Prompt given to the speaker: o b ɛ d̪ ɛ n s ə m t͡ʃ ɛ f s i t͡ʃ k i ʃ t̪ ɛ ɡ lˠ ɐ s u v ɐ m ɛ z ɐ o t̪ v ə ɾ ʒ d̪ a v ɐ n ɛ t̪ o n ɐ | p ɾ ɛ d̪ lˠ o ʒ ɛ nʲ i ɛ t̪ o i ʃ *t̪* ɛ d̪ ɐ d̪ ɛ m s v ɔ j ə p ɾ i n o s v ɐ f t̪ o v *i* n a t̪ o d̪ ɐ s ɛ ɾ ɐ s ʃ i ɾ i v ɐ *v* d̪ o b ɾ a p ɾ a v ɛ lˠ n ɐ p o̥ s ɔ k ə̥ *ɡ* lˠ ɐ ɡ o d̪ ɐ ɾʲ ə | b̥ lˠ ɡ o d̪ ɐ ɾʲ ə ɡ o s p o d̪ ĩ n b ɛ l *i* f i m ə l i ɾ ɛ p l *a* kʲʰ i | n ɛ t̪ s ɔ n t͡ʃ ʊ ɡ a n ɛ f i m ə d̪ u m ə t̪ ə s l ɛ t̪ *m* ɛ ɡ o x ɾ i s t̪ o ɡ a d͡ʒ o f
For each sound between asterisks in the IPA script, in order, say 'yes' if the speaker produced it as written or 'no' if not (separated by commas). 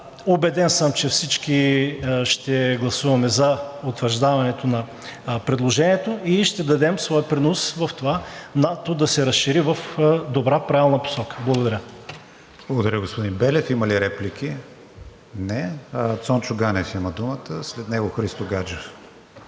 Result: yes, no, no, no, no, no, no